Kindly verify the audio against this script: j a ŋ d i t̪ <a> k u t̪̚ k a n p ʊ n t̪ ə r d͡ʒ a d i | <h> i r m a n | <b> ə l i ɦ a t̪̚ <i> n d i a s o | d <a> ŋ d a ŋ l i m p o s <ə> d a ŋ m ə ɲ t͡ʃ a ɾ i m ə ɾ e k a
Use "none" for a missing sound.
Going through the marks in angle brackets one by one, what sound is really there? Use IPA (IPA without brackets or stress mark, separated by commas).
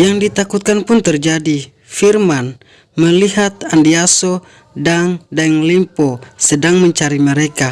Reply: a, f, m, a, a, ə